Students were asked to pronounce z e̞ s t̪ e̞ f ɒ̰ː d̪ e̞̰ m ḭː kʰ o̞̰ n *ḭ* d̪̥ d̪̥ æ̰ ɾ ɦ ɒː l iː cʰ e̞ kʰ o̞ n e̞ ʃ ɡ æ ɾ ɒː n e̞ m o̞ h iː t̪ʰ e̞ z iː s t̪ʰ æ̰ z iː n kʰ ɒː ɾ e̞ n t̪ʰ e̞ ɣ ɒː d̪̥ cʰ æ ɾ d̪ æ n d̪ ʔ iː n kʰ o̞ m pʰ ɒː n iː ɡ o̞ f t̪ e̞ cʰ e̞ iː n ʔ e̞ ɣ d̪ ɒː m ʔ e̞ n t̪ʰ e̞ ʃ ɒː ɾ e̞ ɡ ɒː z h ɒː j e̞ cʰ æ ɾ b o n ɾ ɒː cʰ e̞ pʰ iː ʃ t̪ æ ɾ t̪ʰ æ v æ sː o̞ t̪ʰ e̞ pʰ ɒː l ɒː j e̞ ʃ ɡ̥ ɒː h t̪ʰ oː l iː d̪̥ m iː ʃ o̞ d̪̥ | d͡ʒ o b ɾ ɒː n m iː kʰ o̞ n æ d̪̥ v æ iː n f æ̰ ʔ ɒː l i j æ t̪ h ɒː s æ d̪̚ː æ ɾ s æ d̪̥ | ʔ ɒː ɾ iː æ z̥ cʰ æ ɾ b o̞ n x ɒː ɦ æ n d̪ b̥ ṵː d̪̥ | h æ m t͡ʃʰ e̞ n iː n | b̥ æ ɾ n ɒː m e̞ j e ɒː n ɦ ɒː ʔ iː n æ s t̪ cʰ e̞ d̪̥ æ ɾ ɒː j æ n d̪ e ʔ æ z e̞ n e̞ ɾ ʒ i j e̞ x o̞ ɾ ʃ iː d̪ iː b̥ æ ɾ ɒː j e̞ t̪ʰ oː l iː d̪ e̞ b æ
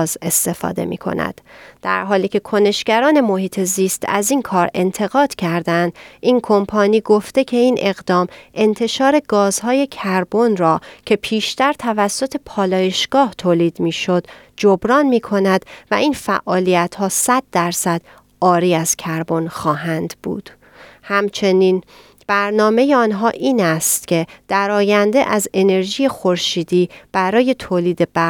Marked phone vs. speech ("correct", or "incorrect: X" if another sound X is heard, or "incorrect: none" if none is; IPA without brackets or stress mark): incorrect: æ̰